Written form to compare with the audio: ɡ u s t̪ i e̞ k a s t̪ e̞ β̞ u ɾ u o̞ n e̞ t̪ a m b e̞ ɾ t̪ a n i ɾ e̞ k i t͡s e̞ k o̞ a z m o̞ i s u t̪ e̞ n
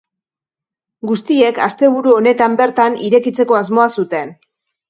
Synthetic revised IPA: ɡ u s t̪ i e̞ k a s t̪ e̞ β̞ u ɾ u o̞ n e̞ t̪ a m b e̞ ɾ t̪ a n i ɾ e̞ k i t͡s e̞ k o̞ a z m o̞ a s u t̪ e̞ n